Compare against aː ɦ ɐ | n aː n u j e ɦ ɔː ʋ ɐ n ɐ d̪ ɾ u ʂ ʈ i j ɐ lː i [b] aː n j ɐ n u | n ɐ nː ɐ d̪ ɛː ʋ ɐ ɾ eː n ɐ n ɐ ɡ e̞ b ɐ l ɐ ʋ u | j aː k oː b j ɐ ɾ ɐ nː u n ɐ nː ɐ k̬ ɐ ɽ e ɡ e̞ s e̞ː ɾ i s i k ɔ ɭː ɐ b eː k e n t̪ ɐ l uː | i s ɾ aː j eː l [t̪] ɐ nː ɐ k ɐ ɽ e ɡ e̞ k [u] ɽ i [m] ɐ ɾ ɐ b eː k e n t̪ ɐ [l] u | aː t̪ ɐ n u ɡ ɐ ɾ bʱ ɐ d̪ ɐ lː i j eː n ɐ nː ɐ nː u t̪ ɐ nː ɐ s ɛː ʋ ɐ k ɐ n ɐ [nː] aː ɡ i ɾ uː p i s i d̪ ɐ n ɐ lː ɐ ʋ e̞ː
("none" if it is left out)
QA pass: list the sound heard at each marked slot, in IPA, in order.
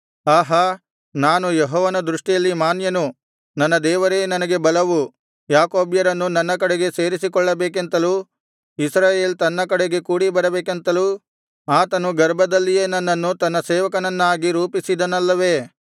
m, t̪, uː, b, l, nː

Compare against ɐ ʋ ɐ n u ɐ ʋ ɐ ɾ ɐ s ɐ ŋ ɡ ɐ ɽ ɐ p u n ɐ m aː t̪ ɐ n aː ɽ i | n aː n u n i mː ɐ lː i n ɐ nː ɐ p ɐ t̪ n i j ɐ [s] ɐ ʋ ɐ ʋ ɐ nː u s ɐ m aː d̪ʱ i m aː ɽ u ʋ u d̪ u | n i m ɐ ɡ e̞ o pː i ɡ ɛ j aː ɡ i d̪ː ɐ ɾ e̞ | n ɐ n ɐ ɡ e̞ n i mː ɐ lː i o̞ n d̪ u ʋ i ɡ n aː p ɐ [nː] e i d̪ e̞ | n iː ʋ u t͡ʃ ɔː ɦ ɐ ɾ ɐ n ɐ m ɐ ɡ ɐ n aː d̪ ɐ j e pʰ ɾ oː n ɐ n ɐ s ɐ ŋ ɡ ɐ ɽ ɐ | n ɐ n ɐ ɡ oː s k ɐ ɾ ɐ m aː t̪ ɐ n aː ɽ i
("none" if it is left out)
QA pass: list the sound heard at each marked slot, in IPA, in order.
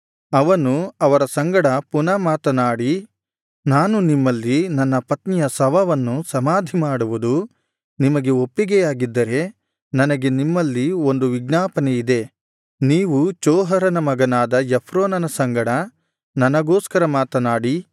s, n

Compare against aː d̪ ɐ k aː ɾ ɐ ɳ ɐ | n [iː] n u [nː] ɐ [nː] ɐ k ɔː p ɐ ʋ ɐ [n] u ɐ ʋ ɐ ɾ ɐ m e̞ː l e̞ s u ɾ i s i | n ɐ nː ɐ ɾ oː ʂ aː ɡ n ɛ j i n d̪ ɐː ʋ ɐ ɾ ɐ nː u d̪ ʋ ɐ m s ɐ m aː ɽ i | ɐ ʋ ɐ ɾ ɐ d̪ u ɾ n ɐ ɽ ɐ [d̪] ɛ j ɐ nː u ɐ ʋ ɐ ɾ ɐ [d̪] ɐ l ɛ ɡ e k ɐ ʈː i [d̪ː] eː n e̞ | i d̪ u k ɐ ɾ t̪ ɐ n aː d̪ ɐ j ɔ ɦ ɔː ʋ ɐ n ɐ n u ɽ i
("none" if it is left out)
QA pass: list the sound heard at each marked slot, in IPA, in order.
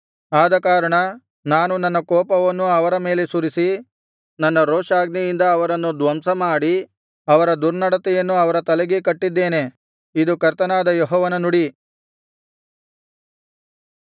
aː, n, nː, nː, t̪, t̪, d̪ː

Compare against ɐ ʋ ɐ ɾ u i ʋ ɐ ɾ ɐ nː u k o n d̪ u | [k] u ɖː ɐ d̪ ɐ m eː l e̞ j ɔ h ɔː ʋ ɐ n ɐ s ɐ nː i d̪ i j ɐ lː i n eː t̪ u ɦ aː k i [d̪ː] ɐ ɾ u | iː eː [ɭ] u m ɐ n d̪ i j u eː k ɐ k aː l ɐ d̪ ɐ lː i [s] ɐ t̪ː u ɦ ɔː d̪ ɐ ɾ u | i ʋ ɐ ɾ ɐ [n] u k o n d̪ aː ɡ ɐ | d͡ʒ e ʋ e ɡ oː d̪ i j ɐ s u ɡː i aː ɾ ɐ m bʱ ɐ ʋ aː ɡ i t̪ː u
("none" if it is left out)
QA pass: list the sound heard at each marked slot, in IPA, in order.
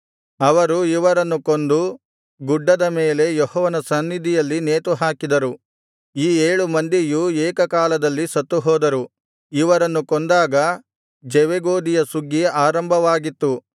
ɡ, d̪, ɭ, s, nː

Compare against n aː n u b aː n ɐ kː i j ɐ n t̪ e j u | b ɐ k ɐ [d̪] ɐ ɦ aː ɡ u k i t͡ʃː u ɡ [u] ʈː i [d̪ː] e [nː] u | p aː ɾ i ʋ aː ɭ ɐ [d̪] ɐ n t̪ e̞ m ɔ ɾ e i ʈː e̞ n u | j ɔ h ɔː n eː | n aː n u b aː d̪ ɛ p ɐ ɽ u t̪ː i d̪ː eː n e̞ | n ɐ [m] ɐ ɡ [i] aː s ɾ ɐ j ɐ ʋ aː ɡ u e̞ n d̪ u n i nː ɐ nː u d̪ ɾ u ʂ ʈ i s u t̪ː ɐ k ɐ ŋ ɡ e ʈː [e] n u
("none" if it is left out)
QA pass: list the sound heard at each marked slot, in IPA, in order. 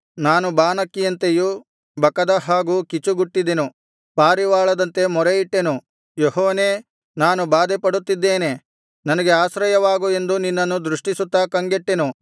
d̪, u, d̪, n, d̪, n, e, e

